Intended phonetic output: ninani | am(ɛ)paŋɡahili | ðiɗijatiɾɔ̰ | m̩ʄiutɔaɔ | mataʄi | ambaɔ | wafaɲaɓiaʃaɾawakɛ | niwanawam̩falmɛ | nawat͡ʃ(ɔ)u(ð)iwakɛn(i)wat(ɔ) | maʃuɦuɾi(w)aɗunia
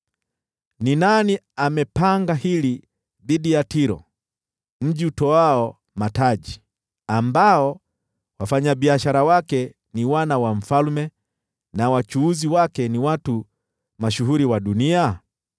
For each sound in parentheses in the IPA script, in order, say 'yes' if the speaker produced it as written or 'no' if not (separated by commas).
yes, no, no, yes, no, yes